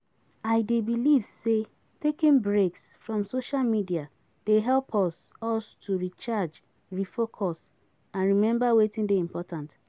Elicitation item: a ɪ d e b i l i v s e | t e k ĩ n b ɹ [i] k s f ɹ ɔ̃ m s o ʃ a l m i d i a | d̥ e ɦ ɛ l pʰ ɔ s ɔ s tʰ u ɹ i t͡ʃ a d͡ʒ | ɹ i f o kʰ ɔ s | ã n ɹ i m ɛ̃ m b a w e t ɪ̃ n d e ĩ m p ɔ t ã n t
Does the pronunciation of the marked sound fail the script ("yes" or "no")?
yes